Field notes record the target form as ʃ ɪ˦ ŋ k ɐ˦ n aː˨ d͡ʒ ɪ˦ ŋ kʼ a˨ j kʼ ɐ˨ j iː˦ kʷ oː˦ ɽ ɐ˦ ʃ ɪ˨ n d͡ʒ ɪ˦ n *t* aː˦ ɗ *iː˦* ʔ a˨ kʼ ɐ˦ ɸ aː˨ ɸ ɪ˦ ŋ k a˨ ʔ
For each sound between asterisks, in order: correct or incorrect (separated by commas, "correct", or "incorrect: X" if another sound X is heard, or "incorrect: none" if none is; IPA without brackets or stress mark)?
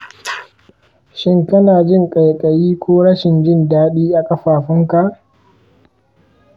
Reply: incorrect: d, correct